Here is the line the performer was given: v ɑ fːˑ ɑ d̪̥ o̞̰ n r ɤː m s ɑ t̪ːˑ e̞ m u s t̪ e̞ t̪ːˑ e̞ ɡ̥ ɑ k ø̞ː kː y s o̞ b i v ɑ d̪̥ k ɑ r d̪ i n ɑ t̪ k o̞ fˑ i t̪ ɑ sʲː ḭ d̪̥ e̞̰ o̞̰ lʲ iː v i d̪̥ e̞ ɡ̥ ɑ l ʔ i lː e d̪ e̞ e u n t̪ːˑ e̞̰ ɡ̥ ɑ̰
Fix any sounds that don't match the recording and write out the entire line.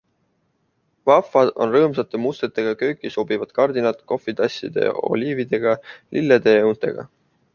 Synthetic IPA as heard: v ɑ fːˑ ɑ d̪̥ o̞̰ n r ɤː m s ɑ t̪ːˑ e̞ m u s t̪ e̞ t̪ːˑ e̞ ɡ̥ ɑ k ø̞ː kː i s o̞ b i v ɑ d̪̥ k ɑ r d̪ i n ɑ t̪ k o̞ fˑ i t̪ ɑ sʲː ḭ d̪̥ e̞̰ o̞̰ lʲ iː v i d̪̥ e̞ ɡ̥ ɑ l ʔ i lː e d̪ e̞ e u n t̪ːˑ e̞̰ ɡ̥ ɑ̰